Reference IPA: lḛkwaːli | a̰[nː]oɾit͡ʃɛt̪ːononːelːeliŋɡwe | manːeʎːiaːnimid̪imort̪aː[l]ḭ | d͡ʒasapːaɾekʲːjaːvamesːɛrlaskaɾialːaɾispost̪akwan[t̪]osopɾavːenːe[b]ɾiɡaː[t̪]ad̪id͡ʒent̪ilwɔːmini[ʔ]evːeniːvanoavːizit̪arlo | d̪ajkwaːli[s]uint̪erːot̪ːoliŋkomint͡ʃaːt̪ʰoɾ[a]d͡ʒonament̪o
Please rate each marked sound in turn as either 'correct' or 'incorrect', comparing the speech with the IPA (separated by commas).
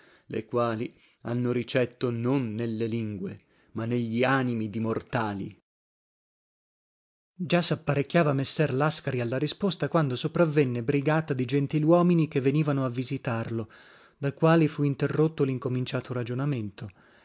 correct, correct, incorrect, correct, correct, incorrect, incorrect, correct